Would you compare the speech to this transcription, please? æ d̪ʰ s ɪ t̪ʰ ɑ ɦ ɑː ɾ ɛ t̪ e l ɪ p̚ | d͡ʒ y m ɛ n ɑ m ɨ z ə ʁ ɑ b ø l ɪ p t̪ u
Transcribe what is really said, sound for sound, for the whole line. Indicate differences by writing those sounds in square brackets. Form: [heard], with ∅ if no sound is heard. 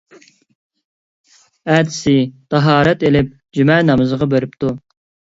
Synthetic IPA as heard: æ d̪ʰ s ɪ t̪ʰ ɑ ɦ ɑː ɾ ɛ t̪ e l ɪ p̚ | d͡ʒ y m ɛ n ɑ m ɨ z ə ʁ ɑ b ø [ɾ] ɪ p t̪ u